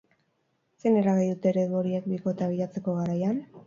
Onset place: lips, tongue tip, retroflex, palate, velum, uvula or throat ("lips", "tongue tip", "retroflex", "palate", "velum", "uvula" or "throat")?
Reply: tongue tip